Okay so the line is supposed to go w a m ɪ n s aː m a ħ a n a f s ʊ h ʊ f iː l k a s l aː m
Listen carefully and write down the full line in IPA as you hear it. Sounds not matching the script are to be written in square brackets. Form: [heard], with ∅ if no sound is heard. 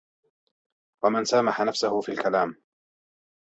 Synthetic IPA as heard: w a m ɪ n s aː m a ħ a n a f s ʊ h ʊ f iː l k a [∅] l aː m